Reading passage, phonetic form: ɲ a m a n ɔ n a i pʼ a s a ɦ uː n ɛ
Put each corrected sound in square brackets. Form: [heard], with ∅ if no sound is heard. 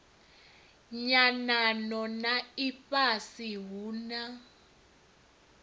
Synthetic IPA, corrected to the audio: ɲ a [n] a n ɔ n a i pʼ a s [i] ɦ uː n [a]